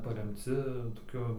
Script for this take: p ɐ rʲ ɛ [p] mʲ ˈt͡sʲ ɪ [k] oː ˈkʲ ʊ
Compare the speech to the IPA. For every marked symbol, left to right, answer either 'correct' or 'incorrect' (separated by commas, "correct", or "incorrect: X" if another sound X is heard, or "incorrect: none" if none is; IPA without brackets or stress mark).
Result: incorrect: none, incorrect: t